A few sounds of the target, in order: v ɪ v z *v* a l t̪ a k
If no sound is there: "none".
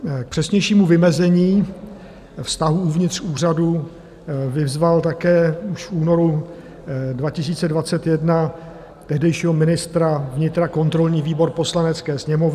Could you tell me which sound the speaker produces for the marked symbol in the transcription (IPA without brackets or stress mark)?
v